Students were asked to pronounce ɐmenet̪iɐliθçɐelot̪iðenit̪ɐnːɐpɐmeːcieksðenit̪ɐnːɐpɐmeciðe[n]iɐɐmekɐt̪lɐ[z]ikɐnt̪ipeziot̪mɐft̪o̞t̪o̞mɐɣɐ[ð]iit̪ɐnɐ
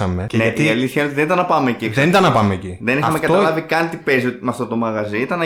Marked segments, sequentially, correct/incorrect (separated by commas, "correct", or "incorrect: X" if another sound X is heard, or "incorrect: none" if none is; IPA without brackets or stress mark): correct, incorrect: v, incorrect: z